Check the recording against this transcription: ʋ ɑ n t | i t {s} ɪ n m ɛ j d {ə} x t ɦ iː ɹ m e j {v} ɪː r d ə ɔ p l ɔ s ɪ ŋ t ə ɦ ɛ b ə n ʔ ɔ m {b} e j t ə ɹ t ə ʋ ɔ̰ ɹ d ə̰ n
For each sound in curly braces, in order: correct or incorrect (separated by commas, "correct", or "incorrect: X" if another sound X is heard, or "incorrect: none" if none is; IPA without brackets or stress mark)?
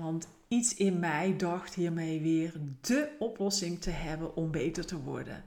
correct, incorrect: ɑ, incorrect: ʋ, correct